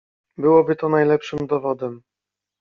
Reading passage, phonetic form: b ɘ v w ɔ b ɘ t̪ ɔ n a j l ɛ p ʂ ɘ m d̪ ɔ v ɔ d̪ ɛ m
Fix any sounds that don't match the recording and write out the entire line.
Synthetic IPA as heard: b ɘ w ɔ b ɘ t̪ ɔ n a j l ɛ p ʂ ɘ m d̪ ɔ v ɔ d̪ ɛ m